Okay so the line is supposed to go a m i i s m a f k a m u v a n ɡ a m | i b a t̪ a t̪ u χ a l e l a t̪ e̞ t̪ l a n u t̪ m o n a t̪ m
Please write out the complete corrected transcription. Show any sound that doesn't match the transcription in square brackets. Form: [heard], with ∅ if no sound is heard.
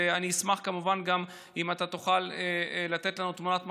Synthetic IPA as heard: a [n] i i s m a [χ] k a m u v a n ɡ a m | i [m] a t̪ a t̪ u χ a l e l a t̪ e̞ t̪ l a n u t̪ m [u] n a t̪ m

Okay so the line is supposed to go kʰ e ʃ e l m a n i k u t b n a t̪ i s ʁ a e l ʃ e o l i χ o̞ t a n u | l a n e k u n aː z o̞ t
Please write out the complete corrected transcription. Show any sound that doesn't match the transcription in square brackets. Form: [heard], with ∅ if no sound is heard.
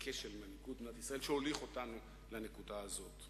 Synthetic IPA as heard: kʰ e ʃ e l m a n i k u t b n a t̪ i s ʁ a e l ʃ e o l i χ o̞ t a n u | l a n e k u [d] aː z o̞ t

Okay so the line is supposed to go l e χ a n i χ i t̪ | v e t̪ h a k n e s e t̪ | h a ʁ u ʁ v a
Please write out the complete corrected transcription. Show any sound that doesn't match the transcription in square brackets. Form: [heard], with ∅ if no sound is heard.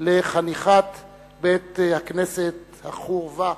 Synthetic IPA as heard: l e χ a n i χ [a] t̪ | [b] e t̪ h a k n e s e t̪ | h a [χ] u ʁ v a

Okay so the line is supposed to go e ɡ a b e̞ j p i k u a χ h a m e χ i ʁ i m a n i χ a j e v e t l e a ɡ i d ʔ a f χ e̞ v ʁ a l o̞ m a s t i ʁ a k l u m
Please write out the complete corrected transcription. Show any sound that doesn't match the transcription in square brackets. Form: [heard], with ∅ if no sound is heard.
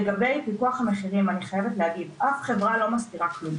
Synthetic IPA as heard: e ɡ a b e̞ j p i k u a χ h a m e χ i ʁ i m a n i χ a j e v e t l e a ɡ i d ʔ a f χ e̞ v ʁ a l o̞ m a s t i ʁ a k l u m

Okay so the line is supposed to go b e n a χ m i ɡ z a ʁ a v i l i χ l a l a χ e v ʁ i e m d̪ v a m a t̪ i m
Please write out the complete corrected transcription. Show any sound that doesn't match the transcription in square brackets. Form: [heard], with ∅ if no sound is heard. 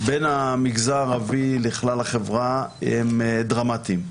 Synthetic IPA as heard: b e n a [∅] m i ɡ z a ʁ a v i l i χ l a l a χ e v ʁ [a] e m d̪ [ʁ] a m a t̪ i m

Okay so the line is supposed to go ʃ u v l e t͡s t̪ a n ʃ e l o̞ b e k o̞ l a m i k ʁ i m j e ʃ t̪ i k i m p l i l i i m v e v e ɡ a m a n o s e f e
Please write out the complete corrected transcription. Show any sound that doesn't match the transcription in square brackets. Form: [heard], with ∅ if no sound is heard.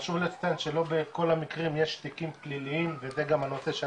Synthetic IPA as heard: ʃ u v l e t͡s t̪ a n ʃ e l o̞ b e k o̞ l a m i k ʁ i m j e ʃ t̪ i k i m p l i l i i m v e [z] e ɡ a m a n o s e [ʃ] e

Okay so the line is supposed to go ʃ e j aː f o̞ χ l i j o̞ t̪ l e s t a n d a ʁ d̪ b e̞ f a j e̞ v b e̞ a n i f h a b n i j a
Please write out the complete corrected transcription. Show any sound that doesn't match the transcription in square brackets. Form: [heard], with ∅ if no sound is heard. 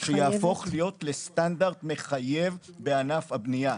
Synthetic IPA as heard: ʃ e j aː f o̞ χ l i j o̞ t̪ l e s t a n d a ʁ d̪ [m] e̞ [χ] a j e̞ v b e̞ a n [a] f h a b n i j a

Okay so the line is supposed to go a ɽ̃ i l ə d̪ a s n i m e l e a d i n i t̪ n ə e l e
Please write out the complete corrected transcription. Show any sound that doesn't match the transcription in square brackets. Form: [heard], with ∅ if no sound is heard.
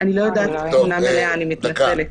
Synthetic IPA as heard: a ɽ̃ i l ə d̪ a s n [a] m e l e a [n] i [m] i t̪ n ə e l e

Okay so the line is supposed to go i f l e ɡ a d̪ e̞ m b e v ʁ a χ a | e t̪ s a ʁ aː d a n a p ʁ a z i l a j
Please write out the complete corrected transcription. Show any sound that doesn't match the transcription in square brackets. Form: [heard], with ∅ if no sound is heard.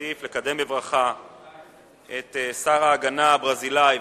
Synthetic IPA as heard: i f l e [k] a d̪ e̞ m b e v ʁ a χ a | e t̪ s a ʁ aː [ɡ] a n a [b] ʁ a z i l a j

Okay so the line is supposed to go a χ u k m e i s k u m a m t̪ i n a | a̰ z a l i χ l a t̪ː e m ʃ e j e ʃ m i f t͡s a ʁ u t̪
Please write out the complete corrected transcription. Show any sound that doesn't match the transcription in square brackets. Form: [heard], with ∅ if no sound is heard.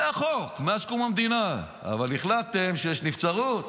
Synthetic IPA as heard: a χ [o] k m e [a] s k u m a m [d̪] i n a | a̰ [v] a l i χ l a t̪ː e m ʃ e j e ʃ [n] i f t͡s a ʁ u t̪

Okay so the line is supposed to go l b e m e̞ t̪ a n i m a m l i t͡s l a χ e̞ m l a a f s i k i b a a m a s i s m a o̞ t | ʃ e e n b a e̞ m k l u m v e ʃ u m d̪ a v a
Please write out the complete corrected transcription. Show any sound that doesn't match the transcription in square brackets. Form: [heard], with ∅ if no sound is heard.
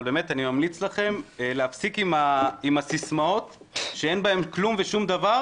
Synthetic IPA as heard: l b e m e̞ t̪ a n i m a m l i t͡s l a χ e̞ m l [e] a f s i k i [m] a [i] m a s i s m a o̞ t | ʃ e e n b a e̞ m k l u m v e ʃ u m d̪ a v a

